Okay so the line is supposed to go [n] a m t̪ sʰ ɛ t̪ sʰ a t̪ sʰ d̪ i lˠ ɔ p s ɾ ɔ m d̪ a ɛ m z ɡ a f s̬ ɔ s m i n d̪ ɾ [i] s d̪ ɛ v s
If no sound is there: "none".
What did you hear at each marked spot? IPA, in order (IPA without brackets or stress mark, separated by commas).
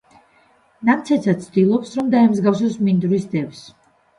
n, i